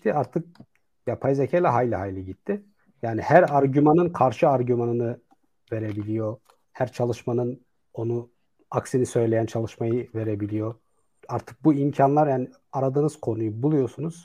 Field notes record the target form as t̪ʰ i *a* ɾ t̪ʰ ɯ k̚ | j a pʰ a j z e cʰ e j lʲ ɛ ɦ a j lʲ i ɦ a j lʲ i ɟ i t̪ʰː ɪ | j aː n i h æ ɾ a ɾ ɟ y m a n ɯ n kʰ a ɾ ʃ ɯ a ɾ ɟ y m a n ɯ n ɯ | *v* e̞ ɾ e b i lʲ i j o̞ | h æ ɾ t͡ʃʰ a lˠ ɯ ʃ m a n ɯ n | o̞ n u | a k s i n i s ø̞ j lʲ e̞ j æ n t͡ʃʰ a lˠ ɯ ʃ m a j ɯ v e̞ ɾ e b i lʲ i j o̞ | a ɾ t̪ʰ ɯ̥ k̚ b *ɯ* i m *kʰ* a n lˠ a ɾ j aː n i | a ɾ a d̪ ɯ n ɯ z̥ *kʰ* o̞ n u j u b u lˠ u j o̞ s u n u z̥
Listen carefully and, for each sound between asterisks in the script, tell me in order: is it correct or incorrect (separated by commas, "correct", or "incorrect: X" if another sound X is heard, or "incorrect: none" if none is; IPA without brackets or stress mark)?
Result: correct, correct, incorrect: u, incorrect: cʰ, correct